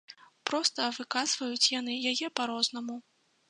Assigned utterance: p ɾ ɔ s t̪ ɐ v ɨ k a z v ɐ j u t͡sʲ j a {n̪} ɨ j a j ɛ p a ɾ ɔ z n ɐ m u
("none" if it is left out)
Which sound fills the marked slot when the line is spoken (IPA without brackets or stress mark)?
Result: n̪